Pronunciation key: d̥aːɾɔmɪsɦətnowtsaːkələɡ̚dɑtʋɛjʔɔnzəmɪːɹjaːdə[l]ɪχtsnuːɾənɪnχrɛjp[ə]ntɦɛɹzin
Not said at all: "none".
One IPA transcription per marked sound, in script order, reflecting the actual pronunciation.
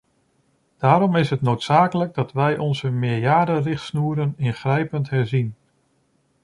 r, ə

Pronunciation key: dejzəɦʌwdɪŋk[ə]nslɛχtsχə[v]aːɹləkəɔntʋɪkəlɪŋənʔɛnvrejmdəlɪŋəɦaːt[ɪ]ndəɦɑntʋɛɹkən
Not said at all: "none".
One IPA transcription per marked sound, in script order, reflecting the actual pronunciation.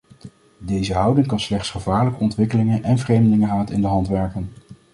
ɑ, v, ɪ

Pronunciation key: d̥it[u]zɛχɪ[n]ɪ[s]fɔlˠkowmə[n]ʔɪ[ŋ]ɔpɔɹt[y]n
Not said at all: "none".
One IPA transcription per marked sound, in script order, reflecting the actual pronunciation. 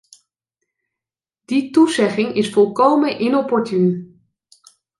u, ŋ, s, n, n, y

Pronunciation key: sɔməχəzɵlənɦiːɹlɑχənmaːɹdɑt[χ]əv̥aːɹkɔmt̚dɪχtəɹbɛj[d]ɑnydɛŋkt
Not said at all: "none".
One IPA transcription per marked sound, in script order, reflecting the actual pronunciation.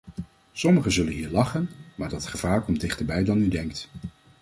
χ, d

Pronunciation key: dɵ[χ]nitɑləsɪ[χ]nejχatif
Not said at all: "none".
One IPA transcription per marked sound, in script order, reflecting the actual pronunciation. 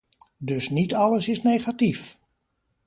s, s

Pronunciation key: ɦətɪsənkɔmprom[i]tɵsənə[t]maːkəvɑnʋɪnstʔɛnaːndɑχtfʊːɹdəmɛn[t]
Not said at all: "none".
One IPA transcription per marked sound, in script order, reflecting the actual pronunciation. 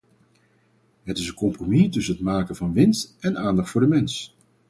i, t, s

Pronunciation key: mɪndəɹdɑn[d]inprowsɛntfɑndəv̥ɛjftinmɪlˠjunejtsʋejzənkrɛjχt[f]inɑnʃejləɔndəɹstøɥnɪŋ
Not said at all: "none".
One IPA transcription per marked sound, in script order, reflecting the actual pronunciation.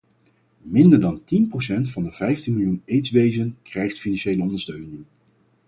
t, f

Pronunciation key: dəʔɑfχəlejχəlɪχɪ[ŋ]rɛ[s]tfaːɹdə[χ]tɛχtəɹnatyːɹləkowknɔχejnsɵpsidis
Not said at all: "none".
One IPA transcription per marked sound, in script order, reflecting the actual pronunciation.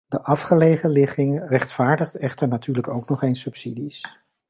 ŋ, χ, χ

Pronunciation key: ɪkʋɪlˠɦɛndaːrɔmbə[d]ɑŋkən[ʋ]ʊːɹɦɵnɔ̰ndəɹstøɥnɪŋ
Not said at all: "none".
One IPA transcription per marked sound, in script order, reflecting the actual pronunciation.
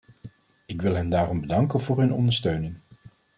d, v

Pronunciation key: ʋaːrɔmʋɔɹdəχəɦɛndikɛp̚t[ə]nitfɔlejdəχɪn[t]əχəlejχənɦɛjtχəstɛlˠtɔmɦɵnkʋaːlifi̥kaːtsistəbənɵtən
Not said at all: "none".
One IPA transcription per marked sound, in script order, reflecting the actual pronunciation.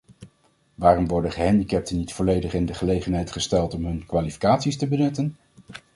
ə, d

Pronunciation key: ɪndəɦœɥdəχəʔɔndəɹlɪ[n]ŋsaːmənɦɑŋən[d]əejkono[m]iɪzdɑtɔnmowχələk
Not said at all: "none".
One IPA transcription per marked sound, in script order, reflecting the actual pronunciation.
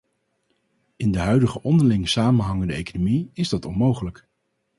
none, d, m

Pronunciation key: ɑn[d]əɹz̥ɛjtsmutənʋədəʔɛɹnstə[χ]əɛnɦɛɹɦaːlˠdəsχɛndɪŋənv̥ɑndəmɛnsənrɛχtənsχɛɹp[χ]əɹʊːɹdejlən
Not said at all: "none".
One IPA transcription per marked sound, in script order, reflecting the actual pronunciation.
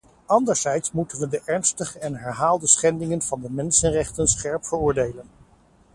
d, χ, f

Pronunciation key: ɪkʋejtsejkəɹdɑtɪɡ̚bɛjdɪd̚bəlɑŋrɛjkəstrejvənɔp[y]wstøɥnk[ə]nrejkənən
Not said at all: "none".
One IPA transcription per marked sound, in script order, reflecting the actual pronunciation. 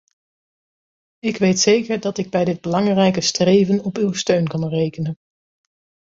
y, ɑ

